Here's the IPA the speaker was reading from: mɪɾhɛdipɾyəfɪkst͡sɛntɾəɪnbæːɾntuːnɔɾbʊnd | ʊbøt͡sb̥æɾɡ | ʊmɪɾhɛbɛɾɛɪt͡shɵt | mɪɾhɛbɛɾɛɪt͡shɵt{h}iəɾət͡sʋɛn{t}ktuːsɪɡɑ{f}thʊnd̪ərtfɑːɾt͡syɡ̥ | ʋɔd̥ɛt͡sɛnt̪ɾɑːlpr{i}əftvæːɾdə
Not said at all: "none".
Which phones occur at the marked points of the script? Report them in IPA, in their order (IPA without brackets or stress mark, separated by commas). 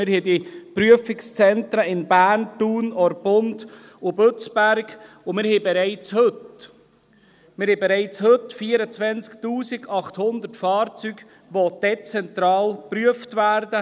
f, t͡s, χ, y